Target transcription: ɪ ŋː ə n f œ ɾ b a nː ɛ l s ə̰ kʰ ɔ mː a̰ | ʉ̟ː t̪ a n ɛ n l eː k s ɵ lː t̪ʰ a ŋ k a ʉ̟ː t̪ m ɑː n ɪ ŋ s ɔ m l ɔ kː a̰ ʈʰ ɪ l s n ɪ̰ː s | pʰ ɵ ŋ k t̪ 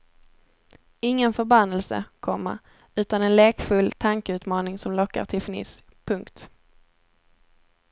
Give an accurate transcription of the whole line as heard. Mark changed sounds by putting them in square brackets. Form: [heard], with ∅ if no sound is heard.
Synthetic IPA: ɪ ŋː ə n f œ ɾ b a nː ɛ l s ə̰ kʰ ɔ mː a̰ | ʉ̟ː t̪ a n ɛ n l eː k [f] ɵ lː t̪ʰ a ŋ k [ə] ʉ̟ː t̪ m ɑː n ɪ ŋ s ɔ m l ɔ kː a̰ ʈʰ ɪ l [f] n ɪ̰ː s | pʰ ɵ ŋ k t̪

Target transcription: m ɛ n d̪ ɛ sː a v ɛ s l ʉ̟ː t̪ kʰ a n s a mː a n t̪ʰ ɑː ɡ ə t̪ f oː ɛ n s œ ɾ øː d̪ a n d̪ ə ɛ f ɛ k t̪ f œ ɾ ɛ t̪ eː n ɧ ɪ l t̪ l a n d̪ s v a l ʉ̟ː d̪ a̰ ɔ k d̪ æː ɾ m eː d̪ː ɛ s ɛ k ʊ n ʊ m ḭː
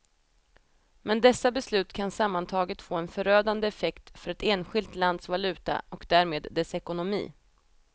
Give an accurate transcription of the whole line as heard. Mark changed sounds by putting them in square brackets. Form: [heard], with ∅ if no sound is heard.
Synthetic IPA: m ɛ n d̪ ɛ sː a [b] ɛ s l ʉ̟ː t̪ kʰ a n s a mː a n t̪ʰ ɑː ɡ ə t̪ f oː ɛ n [f] œ ɾ øː d̪ a n d̪ ə ɛ f ɛ k t̪ f œ ɾ ɛ t̪ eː n ɧ ɪ l t̪ l a n d̪ s v a l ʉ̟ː [t̪] a̰ ɔ k d̪ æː ɾ m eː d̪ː ɛ s ɛ k ʊ n ʊ m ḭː

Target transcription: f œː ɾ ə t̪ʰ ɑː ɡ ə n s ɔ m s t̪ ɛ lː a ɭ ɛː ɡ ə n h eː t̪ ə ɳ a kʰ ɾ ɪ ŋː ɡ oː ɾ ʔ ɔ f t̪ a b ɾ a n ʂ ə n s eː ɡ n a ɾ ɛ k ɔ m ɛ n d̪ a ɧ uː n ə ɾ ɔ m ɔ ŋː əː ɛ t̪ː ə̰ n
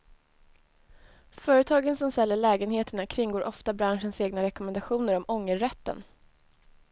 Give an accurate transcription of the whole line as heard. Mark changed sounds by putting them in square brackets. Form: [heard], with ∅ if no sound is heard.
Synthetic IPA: f œː ɾ ə t̪ʰ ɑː ɡ ə n s ɔ m s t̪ ɛ lː [ə] ɭ ɛː ɡ ə n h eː t̪ ə ɳ a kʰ ɾ ɪ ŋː ɡ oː ɾ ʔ ɔ f t̪ a b ɾ a n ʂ ə n s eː ɡ n a ɾ ɛ k ɔ m ɛ n d̪ a ɧ uː n ə ɾ ɔ m ɔ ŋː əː ɛ t̪ː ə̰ n

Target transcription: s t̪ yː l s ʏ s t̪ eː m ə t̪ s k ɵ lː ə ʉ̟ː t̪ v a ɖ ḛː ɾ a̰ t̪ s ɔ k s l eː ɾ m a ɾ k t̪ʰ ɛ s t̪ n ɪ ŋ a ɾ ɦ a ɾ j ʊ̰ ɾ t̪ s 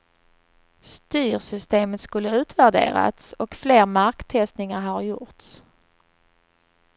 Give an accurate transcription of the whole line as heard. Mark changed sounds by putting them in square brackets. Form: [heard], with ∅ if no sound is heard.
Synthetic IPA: s t̪ yː [ɾ] s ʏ s t̪ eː m ə t̪ s k ɵ lː ə ʉ̟ː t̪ v [æ] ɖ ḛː ɾ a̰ t̪ s ɔ k [f] l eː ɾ m a ɾ k t̪ʰ ɛ s t̪ n ɪ ŋ a ɾ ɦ a ɾ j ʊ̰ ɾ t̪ s

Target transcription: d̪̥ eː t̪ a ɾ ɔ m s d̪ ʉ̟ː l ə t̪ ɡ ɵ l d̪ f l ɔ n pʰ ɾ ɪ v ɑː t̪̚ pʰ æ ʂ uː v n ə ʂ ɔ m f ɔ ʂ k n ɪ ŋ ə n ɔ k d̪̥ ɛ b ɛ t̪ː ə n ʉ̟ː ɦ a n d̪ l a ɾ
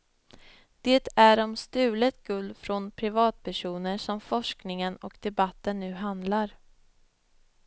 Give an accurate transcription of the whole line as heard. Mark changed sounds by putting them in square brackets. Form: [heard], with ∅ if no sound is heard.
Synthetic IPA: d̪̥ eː t̪ [æ] ɾ ɔ m s [t̪] ʉ̟ː l ə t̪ ɡ ɵ l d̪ f [ɾ] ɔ n pʰ ɾ ɪ v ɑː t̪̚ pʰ æ ʂ uː [∅] n ə ʂ ɔ m f ɔ ʂ k n ɪ ŋ ə n ɔ k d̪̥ ɛ b [a] t̪ː ə [nː] ʉ̟ː ɦ a n d̪ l a ɾ

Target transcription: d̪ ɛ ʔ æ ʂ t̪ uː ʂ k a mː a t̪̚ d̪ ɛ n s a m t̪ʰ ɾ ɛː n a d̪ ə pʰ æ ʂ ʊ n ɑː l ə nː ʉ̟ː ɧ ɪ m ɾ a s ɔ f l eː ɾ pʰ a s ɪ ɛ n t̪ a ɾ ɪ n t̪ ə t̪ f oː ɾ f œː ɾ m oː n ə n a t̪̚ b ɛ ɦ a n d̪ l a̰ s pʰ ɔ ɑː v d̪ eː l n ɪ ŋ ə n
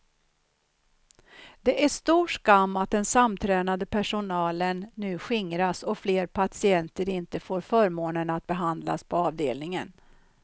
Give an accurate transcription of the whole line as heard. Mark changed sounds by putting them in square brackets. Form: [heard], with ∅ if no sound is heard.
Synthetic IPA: d̪ ɛ ʔ æ ʂ t̪ uː ʂ k a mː a t̪̚ d̪ ɛ n s a m t̪ʰ ɾ ɛː n a d̪ ə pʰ æ ʂ ʊ n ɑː l ə nː ʉ̟ː ɧ ɪ [ŋ] ɾ a s ɔ f l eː ɾ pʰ a s ɪ ɛ n t̪ [ə] ɾ ɪ n t̪ ə [∅] f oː ɾ f œː ɾ m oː n ə n a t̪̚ b ɛ ɦ a n d̪ l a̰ s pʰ ɔ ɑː v d̪ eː l n ɪ ŋ ə n

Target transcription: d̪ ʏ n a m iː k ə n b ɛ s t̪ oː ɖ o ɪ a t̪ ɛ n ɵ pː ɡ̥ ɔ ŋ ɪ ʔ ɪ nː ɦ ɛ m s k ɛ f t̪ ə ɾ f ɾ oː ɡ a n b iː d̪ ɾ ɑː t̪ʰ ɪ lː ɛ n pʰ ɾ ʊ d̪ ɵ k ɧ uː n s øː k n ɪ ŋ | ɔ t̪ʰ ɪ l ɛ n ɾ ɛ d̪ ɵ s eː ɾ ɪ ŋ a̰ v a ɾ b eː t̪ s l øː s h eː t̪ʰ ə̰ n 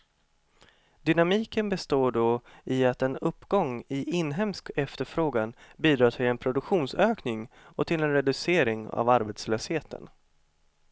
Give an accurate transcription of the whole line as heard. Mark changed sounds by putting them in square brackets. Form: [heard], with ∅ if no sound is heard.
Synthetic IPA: d̪ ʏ n a m iː k ə n b ɛ s t̪ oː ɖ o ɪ a t̪ ɛ n ɵ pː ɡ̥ ɔ ŋ ɪ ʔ ɪ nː ɦ ɛ m s k ɛ f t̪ ə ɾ f ɾ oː ɡ a n b iː d̪ ɾ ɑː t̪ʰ ɪ [l] ɛ n pʰ ɾ ʊ d̪ ɵ k ɧ uː n s øː k n ɪ ŋ | ɔ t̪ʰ ɪ l ɛ n ɾ ɛ d̪ ɵ s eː ɾ ɪ ŋ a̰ v a ɾ b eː t̪ s l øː s h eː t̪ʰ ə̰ n

